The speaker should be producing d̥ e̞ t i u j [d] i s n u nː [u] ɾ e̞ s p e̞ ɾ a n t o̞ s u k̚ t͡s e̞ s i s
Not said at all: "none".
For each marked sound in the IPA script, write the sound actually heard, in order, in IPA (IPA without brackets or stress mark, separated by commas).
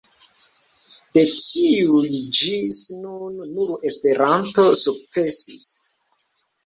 d͡ʒ, u